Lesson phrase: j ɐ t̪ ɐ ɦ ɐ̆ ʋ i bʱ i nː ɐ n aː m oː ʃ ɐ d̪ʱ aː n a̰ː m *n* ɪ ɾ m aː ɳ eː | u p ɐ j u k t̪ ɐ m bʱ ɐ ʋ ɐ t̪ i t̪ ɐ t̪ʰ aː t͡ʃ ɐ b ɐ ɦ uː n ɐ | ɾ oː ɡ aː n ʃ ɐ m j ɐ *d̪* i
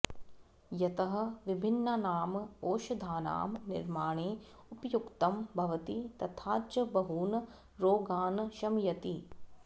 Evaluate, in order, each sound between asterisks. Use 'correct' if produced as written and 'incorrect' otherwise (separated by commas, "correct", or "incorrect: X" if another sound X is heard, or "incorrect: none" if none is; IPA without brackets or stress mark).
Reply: correct, incorrect: t̪